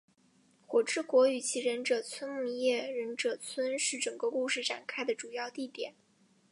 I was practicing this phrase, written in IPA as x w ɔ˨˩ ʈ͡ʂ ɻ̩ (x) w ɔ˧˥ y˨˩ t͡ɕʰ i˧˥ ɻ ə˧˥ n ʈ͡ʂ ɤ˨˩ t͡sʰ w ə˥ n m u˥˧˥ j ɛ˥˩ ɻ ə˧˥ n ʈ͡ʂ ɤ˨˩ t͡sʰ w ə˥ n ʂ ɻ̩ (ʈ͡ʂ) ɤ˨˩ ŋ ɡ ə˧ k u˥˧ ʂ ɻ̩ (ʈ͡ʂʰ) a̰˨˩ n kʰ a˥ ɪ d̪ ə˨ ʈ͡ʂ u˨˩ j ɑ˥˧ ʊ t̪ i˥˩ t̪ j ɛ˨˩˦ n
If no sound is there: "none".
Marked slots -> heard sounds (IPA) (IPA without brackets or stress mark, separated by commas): k, ʈ͡ʂ, ʈ͡ʂ